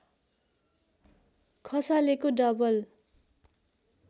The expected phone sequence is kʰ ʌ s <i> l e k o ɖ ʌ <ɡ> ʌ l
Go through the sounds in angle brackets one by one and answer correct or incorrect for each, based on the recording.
incorrect, incorrect

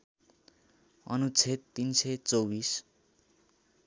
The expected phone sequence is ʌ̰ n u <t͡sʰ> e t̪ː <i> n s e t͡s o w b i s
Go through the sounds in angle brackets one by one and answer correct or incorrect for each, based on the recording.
correct, correct

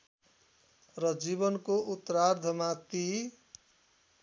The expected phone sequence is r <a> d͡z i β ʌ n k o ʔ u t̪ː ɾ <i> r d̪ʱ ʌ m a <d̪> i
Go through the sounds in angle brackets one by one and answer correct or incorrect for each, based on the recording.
incorrect, incorrect, incorrect

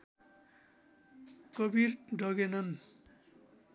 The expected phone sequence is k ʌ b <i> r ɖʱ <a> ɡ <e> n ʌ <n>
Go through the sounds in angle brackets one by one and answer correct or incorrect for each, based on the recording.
correct, incorrect, correct, correct

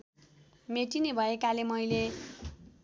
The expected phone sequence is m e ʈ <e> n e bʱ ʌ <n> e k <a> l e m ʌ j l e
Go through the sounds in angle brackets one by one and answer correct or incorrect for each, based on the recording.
incorrect, incorrect, correct

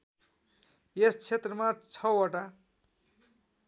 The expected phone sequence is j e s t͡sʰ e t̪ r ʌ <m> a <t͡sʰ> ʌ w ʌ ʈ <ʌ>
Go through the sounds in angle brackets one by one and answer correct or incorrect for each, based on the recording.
correct, correct, incorrect

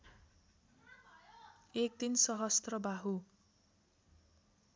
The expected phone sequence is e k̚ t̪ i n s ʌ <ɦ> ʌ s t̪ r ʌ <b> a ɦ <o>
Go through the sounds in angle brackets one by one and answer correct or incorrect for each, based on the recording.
correct, correct, incorrect

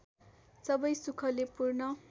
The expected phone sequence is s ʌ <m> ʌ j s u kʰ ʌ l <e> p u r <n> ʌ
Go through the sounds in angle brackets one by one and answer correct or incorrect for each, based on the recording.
incorrect, correct, correct

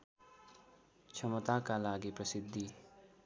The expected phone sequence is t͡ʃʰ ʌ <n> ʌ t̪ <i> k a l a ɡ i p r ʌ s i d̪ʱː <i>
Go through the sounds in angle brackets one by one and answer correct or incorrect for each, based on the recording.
incorrect, incorrect, correct

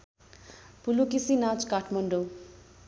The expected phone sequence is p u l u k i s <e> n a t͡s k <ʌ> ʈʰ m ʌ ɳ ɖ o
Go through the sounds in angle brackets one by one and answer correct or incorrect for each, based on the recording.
incorrect, incorrect

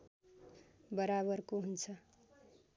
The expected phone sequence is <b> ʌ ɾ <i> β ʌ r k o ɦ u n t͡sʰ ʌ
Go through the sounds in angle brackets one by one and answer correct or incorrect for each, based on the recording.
correct, incorrect

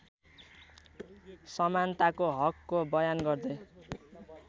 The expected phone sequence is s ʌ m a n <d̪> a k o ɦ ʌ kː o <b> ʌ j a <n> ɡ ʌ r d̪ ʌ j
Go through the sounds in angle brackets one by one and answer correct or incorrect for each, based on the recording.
incorrect, correct, correct

